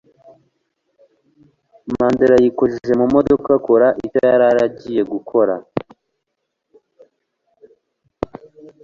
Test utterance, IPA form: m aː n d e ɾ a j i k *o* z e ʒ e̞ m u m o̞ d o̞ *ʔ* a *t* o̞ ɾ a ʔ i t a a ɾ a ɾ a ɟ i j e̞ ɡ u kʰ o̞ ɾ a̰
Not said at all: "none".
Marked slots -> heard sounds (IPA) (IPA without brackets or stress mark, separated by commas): o, k, k